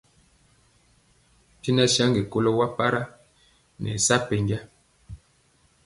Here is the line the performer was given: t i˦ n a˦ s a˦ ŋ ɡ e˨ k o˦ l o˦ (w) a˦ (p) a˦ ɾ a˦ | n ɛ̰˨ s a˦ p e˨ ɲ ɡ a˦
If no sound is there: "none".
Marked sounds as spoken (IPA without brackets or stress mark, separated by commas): w, p